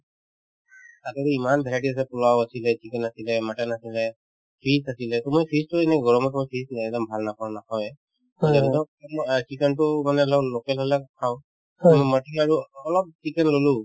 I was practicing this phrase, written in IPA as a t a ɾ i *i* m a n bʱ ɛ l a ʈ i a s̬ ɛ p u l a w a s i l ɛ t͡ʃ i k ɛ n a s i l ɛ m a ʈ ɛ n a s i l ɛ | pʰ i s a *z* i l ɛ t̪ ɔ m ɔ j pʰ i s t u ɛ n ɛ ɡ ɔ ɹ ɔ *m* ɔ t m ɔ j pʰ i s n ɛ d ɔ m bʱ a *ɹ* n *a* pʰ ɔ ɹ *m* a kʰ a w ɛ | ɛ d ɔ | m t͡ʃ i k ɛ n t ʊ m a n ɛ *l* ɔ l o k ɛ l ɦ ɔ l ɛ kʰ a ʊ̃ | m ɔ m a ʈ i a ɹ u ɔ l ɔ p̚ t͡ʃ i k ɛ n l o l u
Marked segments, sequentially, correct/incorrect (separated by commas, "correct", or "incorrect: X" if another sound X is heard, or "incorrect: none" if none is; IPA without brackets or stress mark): correct, incorrect: s, correct, incorrect: l, correct, incorrect: n, correct